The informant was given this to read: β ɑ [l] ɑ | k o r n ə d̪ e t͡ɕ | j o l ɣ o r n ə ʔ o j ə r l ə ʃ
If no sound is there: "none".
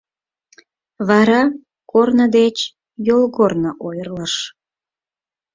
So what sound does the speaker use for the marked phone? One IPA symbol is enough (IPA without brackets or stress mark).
ɾ